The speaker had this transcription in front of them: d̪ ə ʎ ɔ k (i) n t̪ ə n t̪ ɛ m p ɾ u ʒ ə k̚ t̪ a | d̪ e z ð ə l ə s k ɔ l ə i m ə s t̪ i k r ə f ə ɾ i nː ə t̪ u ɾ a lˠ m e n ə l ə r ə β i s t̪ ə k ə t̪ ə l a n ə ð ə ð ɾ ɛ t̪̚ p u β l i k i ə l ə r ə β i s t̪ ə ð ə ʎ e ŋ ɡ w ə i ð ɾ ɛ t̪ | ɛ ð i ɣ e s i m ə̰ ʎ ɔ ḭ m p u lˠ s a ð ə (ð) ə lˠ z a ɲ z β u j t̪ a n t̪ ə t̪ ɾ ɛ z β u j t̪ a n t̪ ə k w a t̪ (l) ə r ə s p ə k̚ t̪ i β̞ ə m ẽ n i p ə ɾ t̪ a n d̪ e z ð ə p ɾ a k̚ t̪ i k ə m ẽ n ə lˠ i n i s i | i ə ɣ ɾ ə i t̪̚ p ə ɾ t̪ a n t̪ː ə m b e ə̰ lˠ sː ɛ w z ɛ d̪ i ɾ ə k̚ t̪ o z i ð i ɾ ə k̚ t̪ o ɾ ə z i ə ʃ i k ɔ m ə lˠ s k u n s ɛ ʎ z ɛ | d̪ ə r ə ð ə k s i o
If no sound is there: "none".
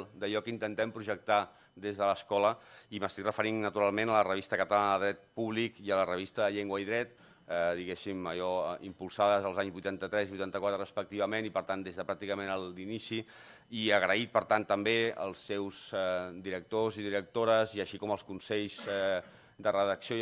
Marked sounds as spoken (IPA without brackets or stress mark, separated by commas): i, z, ɾ